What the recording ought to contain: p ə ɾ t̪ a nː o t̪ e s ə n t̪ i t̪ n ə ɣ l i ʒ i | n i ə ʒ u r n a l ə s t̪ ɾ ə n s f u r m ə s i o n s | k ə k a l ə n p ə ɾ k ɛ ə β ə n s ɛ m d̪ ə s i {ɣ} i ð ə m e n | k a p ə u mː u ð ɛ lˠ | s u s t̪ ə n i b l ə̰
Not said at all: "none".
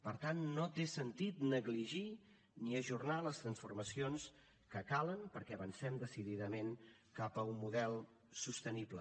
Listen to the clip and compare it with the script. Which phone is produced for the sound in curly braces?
ð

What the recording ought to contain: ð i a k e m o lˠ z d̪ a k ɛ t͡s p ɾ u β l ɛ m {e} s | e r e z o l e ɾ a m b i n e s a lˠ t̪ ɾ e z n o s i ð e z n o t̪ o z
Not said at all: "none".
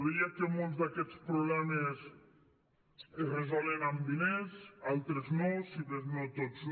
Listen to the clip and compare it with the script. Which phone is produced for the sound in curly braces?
e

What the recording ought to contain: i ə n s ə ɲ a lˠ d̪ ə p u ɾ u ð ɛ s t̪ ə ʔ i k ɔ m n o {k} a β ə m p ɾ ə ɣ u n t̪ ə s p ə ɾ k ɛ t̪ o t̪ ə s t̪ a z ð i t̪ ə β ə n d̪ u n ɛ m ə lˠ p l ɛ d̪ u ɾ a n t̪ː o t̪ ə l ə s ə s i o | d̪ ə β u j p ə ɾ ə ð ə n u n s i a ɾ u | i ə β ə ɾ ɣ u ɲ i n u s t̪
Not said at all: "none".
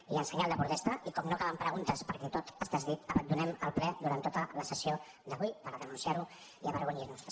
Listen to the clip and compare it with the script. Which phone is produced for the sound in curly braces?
k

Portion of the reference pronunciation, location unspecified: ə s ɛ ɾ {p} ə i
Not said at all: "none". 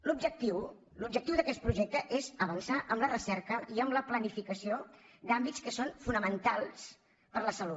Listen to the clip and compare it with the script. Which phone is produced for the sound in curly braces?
k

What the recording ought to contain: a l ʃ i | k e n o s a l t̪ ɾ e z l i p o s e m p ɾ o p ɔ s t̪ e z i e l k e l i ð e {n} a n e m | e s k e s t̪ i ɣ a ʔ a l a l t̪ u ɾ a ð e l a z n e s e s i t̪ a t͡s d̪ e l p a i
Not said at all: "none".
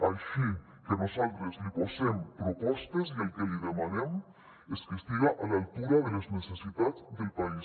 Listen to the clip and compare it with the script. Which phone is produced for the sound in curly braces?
m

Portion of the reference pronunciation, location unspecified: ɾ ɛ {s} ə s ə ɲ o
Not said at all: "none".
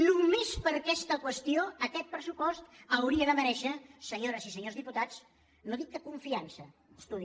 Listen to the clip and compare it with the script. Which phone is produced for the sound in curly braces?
ʃ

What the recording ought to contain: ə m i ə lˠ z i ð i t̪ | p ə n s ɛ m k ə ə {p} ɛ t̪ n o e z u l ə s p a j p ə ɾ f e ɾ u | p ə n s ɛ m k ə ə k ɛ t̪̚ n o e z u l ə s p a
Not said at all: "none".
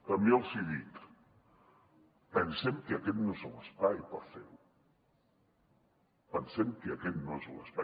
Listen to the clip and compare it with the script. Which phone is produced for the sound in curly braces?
k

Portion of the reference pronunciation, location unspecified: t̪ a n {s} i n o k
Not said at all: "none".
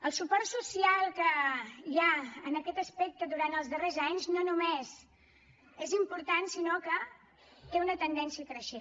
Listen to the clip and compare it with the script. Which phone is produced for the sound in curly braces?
s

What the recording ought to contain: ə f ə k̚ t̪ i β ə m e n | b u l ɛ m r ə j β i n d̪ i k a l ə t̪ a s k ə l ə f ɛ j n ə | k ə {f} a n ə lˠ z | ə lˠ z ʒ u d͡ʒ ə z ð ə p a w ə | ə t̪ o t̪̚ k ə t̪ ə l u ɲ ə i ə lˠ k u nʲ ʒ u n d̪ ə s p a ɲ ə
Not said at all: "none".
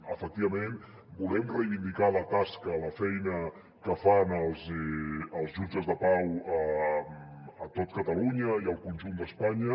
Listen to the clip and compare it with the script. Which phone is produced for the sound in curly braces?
f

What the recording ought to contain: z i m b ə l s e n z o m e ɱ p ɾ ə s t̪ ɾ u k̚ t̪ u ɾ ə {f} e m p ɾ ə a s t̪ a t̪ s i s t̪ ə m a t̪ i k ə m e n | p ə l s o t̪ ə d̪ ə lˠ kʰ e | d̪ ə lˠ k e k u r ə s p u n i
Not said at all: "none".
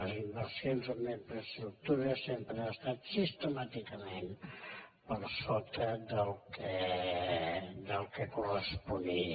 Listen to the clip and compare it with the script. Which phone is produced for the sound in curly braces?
s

